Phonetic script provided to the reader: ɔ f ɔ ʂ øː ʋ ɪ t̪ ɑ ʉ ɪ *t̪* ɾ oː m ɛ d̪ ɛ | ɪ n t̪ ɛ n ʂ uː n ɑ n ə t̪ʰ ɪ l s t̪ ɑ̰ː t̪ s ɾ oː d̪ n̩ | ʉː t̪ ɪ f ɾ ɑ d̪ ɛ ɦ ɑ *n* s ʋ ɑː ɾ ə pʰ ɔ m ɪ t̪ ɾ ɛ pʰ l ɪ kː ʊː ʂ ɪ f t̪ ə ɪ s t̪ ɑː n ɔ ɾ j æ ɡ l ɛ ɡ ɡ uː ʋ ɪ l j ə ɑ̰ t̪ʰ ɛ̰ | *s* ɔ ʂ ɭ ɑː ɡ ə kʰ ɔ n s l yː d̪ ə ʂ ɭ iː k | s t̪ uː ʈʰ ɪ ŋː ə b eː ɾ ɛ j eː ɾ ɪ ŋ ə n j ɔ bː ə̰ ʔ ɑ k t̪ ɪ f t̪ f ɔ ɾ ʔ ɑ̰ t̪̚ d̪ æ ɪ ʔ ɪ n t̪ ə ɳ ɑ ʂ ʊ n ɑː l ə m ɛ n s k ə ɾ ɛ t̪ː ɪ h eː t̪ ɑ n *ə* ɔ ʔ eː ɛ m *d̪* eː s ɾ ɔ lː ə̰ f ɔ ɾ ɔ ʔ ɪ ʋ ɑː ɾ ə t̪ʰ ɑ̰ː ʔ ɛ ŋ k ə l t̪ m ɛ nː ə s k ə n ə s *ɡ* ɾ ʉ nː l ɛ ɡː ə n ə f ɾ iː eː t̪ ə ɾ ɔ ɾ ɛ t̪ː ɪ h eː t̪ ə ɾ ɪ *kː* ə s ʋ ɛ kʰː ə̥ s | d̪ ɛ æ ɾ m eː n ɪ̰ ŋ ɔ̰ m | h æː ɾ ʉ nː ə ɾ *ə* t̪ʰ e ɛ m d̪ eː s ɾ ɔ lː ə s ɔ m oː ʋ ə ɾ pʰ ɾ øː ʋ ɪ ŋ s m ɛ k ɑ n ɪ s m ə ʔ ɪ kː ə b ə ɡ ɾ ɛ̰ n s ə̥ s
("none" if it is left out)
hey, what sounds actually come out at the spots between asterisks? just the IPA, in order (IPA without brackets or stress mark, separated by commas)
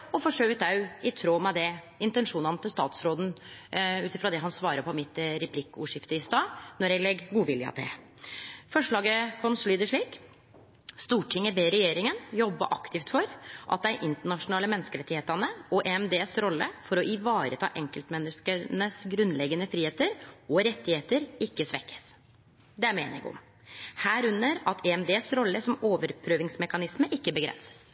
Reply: t̪ʰ, n, f, ə, d̪, ɡ, kː, ɑ